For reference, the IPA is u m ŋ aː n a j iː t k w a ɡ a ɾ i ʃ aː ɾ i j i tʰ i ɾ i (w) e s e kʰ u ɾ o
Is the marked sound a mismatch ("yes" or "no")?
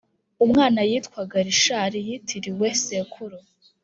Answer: no